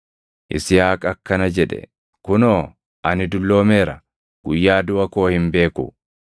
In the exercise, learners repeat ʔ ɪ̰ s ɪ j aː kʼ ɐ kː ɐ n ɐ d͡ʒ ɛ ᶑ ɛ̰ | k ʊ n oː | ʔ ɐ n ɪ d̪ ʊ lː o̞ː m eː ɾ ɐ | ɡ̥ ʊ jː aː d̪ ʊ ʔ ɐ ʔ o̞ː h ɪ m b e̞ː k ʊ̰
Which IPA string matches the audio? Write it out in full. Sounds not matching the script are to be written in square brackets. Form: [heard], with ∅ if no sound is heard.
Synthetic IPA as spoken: ʔ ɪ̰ s ɪ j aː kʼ ɐ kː ɐ n ɐ d͡ʒ ɛ ᶑ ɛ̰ | k ʊ n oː | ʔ ɐ n ɪ d̪ ʊ lː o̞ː m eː ɾ ɐ | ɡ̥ ʊ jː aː d̪ ʊ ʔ ɐ [k] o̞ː h ɪ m b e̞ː k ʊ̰